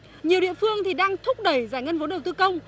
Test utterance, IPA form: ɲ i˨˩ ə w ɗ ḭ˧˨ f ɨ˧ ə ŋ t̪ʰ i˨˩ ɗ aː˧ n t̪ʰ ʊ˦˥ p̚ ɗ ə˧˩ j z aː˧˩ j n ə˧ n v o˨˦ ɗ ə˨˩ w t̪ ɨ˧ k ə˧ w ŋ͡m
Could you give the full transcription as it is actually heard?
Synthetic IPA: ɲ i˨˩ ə w ɗ ḭ˧˨ f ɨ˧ ə ŋ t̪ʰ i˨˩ ɗ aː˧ ŋ t̪ʰ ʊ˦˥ k͡p̚ ɗ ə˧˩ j z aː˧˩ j ŋ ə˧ n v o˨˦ ɗ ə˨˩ w t̪ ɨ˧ k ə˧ w ŋ͡m